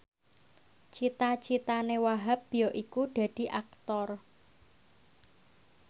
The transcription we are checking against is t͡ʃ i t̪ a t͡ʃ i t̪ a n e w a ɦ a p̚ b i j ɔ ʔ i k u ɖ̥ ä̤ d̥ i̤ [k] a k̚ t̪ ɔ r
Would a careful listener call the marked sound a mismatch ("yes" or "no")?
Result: yes